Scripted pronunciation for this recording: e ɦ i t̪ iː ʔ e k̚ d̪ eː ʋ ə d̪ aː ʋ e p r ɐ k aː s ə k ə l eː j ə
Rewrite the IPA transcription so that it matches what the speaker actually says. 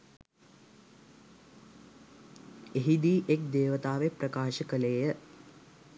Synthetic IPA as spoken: e ɦ i d̪ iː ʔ e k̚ d̪ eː ʋ ə t̪ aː ʋ e p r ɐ k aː ʃ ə k ə l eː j ə

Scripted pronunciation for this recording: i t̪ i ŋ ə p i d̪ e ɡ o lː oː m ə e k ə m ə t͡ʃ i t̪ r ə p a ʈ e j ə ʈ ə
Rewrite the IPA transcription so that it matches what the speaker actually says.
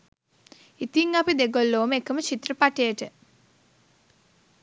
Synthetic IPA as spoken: i t̪ i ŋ a p i d̪ e ɡ o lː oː m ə e k ə m ə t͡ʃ i t̪ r ə p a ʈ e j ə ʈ ə

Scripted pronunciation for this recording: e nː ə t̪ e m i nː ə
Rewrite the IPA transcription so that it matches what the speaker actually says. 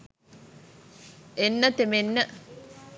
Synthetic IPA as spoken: e nː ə t̪ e m e nː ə

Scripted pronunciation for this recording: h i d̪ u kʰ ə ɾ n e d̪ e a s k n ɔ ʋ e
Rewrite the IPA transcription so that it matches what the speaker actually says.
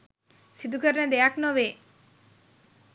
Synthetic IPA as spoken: s i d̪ u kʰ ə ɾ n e d̪ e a k n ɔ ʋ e

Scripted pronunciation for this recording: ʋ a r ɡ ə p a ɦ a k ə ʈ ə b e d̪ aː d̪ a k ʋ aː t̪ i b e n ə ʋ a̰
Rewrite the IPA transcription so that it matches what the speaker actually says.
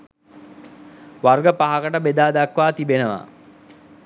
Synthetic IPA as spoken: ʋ a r ɡ ə p a ɦ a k ə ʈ ə b e d̪ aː d̪ a k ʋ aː t̪ i b e n ə ʋ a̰

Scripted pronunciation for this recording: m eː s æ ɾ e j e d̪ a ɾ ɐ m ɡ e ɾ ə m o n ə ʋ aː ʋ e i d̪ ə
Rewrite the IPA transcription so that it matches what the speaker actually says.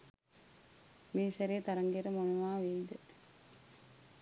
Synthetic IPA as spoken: m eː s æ ɾ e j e t̪ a ɾ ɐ ŋ ɡ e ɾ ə m o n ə ʋ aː ʋ e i d̪ ə

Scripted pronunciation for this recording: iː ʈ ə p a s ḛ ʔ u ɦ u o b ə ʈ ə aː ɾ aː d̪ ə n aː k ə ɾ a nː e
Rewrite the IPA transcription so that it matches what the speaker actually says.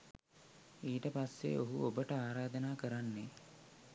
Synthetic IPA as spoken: iː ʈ ə p a sː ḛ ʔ o ɦ u o b ə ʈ ə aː ɾ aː d̪ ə n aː k ə ɾ a nː e

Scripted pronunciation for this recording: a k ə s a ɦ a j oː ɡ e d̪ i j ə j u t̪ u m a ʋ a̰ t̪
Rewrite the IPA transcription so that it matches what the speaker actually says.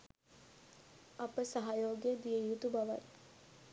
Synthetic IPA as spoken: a p ə s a ɦ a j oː ɡ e d̪ i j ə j u t̪ u b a ʋ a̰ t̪

